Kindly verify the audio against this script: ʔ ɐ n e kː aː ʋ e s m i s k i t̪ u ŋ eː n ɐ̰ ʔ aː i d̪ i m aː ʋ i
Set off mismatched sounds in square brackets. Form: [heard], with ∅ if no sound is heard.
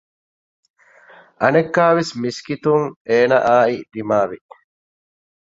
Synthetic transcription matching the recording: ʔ ɐ n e kː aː ʋ e s m i s k i t̪ u ŋ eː n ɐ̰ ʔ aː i d̪ i m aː ʋ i